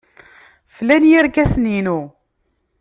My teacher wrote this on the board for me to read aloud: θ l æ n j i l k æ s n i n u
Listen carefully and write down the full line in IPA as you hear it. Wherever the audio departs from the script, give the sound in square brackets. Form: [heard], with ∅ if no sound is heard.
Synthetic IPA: [f] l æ n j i [ɾ] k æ s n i n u